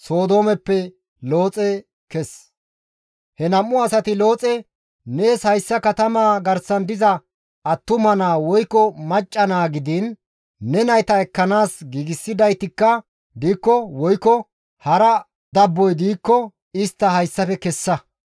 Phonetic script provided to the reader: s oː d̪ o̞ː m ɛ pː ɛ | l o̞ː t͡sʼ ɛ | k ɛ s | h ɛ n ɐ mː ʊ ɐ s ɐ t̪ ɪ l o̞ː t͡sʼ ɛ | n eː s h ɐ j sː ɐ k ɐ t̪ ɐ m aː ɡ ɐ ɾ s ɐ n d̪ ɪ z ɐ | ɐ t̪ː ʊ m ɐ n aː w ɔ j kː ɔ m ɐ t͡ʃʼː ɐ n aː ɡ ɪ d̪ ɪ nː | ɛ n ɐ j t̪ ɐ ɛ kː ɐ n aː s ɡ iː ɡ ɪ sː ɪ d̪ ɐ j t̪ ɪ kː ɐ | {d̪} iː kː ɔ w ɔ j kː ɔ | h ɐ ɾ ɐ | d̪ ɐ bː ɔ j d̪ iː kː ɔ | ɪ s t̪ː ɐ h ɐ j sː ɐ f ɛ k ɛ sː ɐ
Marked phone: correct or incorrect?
correct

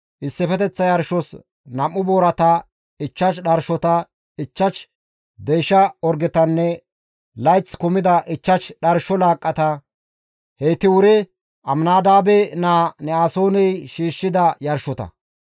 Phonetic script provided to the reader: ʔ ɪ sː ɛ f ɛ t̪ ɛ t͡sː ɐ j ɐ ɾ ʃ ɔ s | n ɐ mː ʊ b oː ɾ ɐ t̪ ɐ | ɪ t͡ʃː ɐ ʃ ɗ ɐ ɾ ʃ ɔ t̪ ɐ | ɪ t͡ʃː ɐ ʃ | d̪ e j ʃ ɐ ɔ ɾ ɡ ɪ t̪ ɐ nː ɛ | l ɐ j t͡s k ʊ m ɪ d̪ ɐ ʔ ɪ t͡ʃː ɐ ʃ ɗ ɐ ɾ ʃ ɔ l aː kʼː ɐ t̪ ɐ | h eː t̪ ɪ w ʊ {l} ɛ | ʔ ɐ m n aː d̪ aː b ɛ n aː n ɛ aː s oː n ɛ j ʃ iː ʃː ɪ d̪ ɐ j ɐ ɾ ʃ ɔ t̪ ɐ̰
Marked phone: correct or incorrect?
incorrect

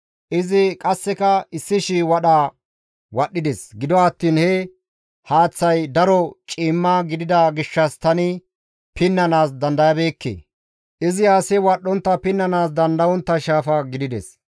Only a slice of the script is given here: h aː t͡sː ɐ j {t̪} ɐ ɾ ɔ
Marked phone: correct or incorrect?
incorrect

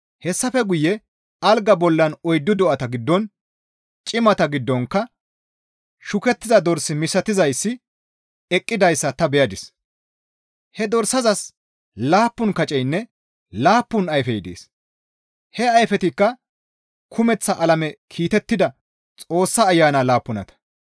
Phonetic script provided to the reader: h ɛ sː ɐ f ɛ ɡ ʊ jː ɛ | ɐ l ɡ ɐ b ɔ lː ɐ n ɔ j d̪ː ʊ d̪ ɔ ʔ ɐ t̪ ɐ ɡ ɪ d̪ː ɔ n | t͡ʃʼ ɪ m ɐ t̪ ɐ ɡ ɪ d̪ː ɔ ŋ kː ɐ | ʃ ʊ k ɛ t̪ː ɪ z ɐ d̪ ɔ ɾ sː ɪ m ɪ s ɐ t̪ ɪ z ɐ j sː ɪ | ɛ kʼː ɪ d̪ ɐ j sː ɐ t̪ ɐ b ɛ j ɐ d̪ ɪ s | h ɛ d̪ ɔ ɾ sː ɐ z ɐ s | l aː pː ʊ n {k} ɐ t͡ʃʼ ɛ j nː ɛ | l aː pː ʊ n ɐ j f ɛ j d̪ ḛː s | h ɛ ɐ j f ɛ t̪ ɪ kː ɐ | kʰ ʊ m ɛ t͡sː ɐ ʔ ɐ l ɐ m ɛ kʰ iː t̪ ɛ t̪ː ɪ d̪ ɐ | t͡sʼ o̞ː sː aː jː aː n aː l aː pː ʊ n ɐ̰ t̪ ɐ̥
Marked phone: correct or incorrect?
correct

